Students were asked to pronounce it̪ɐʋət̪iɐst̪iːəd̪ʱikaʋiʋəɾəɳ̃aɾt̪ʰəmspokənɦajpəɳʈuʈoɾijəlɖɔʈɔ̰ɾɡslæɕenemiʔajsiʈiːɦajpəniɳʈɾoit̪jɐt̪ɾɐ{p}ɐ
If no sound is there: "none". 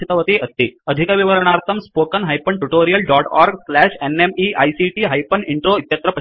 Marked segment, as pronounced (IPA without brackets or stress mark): p